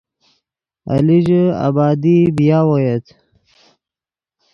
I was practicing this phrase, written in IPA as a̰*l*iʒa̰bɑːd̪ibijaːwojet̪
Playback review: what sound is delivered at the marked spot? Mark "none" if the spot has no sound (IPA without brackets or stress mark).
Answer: l